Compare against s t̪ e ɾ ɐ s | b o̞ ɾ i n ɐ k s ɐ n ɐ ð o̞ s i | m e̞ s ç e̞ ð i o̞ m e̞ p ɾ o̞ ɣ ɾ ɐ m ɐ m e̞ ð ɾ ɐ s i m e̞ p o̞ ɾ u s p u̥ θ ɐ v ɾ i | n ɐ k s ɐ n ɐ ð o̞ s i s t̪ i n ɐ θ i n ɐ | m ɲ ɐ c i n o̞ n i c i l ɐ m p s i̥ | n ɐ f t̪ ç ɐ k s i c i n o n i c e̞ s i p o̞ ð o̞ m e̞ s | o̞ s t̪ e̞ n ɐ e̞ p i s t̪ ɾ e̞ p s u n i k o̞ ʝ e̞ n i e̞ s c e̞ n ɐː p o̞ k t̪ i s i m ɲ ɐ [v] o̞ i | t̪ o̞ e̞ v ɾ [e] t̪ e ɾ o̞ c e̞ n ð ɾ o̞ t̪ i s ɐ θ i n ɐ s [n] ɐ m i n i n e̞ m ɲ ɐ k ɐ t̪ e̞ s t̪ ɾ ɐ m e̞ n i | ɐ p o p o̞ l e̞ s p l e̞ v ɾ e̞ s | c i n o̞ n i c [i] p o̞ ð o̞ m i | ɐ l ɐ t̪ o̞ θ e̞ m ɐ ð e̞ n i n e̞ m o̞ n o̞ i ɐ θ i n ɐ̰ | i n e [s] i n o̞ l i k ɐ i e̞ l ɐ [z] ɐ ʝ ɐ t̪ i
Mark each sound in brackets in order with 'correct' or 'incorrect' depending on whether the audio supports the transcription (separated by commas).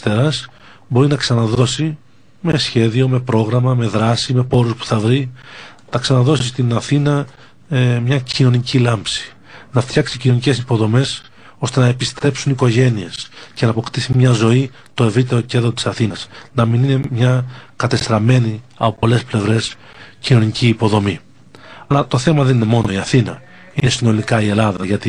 incorrect, incorrect, correct, incorrect, correct, incorrect